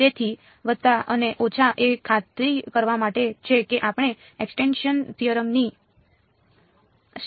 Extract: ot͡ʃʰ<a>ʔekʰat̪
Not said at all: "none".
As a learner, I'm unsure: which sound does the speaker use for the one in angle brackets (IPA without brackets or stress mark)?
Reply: a